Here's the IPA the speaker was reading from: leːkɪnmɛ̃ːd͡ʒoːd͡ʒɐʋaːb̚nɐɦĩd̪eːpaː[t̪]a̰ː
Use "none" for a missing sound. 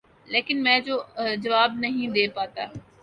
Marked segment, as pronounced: t̪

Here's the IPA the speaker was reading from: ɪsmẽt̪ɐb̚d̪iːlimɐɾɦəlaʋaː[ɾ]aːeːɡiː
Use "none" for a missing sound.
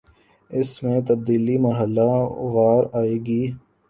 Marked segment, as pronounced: ɾ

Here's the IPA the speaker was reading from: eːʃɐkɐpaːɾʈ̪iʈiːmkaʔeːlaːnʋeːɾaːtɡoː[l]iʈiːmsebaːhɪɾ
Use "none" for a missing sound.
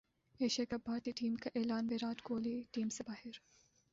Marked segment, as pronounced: l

